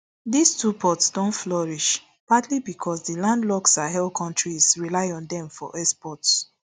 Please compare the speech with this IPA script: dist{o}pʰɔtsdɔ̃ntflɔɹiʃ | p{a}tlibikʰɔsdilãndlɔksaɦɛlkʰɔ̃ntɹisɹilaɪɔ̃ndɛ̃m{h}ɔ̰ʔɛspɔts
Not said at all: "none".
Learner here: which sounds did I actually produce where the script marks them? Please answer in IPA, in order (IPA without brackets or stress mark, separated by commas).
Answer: u, a, f